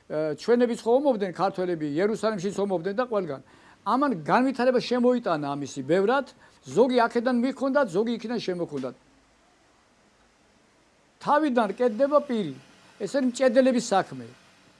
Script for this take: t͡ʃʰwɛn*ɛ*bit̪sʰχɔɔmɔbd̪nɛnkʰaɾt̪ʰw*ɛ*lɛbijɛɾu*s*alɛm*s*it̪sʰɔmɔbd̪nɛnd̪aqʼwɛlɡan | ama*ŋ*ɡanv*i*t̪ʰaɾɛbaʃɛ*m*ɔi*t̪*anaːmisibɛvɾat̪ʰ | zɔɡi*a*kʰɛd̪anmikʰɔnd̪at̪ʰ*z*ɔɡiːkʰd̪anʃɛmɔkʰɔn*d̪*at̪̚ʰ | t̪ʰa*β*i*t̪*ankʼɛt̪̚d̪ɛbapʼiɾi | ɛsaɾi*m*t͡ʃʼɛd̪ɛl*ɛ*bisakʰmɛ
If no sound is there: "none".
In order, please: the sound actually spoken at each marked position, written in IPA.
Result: ɛ, ɛ, s, ʃ, n, i, m, t̪ʼ, a, z, d̪, v, d̪, m, ɛ

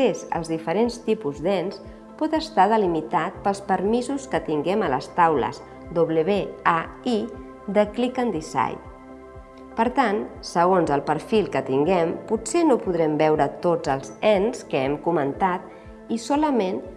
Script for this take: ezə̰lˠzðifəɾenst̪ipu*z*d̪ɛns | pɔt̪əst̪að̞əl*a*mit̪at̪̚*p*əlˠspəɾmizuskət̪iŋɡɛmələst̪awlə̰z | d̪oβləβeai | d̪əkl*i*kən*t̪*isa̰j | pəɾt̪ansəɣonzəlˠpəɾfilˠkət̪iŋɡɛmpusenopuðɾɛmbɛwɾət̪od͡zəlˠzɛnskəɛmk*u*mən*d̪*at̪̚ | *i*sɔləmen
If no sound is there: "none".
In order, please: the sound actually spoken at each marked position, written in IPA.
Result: z, i, p, i, d̪, u, t̪, i

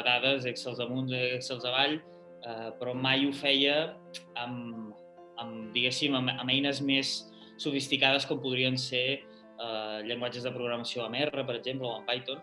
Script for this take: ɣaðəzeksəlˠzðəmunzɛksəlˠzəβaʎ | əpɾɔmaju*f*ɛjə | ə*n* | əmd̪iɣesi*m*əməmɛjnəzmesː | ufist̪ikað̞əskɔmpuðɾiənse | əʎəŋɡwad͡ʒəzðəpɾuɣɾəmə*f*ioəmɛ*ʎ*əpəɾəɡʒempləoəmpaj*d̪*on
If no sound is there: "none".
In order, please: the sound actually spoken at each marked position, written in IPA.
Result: f, m, m, s, r, t̪

